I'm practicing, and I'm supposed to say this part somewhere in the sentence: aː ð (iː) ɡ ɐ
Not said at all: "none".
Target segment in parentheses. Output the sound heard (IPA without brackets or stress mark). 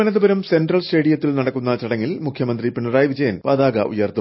aː